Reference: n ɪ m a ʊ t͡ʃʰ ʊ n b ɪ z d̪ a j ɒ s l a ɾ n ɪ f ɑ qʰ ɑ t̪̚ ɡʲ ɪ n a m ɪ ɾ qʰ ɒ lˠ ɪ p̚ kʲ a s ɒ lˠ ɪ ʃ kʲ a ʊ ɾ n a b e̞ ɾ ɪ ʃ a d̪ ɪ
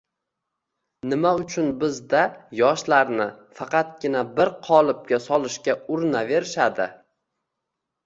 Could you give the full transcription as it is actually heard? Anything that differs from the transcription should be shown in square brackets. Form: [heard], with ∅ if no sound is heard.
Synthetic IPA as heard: n ɪ m a ʊ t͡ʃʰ ʊ n b ɪ z d̪ a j ɒ [ʃ] l a ɾ n ɪ f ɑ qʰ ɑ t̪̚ ɡʲ ɪ n a [b] ɪ ɾ qʰ ɒ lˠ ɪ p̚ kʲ a s ɒ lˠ ɪ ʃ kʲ a ʊ ɾ n a [v] e̞ ɾ ɪ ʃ a d̪ ɪ